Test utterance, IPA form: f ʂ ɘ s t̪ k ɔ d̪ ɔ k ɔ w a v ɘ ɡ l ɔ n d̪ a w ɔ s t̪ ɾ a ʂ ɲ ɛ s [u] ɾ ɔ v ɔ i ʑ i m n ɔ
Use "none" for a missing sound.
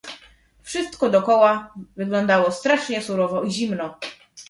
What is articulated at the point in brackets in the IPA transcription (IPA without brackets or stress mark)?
u